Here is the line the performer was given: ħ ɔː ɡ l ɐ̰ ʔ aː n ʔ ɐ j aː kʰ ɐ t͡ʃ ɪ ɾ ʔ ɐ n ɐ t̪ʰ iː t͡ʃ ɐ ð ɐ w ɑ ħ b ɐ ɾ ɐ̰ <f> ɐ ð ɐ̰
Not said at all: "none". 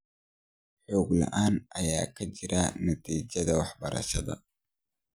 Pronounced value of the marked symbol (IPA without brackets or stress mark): ʃ